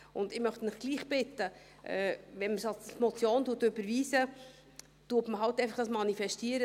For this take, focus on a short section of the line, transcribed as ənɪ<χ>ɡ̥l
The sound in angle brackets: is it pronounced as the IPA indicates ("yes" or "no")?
yes